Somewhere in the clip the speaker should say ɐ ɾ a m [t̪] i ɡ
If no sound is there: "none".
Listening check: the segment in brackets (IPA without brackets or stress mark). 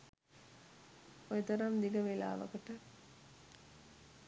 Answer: d̪